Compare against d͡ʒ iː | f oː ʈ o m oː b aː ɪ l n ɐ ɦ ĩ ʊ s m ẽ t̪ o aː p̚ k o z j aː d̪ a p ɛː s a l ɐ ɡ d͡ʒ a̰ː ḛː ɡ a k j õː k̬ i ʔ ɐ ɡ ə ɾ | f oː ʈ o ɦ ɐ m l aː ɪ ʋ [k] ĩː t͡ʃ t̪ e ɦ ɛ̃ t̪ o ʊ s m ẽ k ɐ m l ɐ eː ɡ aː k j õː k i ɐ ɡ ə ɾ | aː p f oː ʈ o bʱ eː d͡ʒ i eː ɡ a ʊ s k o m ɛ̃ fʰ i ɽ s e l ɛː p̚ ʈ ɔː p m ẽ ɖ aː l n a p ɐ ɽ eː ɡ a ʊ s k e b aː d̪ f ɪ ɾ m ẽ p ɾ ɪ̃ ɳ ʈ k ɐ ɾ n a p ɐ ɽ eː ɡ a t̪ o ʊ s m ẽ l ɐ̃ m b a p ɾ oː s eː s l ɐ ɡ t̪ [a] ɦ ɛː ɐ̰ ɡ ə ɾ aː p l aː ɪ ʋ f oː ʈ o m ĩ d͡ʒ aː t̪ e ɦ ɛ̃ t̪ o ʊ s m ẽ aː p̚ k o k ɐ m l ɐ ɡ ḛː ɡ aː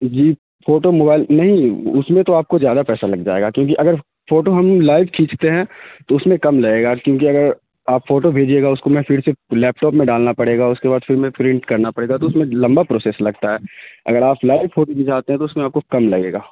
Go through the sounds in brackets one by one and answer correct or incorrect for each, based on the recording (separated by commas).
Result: incorrect, correct